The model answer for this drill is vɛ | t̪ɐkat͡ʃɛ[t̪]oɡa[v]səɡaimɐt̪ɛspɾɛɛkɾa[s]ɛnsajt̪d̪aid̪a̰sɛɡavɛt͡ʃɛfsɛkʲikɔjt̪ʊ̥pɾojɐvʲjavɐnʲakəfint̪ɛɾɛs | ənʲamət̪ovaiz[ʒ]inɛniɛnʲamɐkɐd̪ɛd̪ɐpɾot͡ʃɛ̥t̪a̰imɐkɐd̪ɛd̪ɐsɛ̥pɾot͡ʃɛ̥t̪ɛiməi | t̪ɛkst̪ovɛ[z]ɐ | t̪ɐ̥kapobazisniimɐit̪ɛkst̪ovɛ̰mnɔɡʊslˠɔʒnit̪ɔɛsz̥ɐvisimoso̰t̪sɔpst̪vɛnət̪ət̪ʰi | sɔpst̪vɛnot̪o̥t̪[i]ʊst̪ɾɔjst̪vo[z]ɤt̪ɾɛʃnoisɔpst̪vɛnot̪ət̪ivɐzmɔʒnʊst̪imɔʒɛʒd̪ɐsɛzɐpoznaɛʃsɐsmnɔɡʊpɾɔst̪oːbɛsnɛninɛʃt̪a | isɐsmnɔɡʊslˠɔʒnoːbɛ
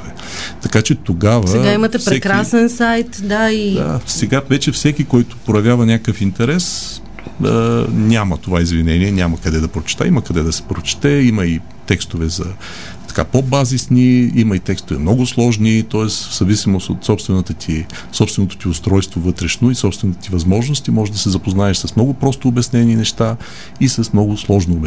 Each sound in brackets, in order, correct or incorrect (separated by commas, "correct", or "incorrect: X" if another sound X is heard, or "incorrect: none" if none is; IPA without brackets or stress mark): correct, correct, correct, incorrect: v, correct, correct, incorrect: v